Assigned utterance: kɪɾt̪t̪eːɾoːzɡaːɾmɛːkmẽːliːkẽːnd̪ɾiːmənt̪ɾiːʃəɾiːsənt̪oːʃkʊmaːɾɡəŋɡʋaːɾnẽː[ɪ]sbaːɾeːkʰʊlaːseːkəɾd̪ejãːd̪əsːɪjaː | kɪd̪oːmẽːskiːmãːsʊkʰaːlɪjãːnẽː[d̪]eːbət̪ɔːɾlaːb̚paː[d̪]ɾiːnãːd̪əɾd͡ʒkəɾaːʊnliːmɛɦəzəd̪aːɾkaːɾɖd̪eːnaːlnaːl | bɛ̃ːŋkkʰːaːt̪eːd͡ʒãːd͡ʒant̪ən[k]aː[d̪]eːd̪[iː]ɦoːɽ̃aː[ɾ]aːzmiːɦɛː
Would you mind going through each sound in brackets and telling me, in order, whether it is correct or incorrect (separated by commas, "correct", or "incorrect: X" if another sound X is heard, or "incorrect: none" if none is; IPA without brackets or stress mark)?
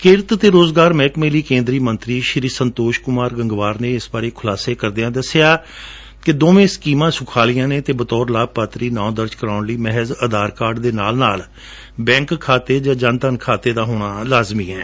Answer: correct, incorrect: t̪, incorrect: t̪, incorrect: kʰ, incorrect: t̪, incorrect: aː, incorrect: l